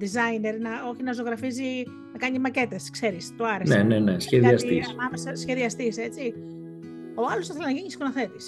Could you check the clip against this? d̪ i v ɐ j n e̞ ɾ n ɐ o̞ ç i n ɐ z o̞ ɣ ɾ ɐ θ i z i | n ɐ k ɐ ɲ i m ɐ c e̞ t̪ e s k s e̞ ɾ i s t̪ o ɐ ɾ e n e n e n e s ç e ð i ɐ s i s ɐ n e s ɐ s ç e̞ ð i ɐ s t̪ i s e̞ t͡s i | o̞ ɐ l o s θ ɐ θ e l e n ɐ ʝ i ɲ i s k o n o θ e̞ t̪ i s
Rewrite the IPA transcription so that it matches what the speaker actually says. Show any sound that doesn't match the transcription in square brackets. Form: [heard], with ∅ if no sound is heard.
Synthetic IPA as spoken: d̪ i [z] ɐ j n e̞ ɾ n ɐ o̞ ç i n ɐ z o̞ ɣ ɾ ɐ [f] i z i | n ɐ k ɐ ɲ i m ɐ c e̞ t̪ e s k s e̞ ɾ i s t̪ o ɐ ɾ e n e n e n e s ç e ð i ɐ s i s ɐ [m] e s ɐ s ç e̞ ð i ɐ s t̪ i s e̞ t͡s i | o̞ ɐ l o s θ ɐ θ e l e n ɐ ʝ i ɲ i s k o n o θ e̞ t̪ i s